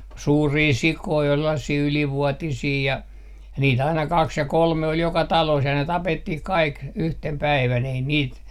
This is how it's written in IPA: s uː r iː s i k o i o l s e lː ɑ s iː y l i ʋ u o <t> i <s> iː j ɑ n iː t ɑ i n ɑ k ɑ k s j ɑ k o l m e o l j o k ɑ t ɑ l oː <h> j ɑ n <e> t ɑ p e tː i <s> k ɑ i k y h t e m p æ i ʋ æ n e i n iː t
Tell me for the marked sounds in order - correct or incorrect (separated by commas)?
correct, correct, incorrect, correct, incorrect